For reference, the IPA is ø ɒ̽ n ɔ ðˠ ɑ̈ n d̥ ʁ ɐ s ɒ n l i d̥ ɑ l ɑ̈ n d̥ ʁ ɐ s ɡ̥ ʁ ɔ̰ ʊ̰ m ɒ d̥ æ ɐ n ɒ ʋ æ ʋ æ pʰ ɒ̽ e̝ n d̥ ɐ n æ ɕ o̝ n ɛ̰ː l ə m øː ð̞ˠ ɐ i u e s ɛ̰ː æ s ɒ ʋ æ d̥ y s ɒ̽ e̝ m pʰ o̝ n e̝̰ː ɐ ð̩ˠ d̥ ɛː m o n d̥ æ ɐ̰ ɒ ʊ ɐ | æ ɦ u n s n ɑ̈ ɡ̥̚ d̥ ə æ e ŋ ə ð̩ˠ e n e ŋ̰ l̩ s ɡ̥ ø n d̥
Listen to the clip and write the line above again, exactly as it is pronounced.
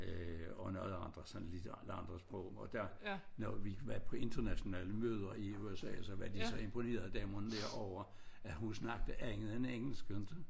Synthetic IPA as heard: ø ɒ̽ n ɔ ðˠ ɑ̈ n d̥ ʁ ɐ s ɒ n l i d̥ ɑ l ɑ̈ n d̥ ʁ ɐ s b̥ ʁ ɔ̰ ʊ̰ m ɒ d̥ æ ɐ n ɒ ʋ i ʋ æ pʰ ɒ̽ e̝ n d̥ ɐ n æ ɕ o̝ n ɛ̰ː l ə m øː ð̞ˠ ɐ i u e s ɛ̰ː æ s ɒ ʋ æ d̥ i s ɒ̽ e̝ m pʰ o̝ n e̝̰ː ɐ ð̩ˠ d̥ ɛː m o n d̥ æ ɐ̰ ɒ ʊ ɐ | æ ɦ u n s n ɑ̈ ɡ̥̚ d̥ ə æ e ŋ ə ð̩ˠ e n e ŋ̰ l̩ s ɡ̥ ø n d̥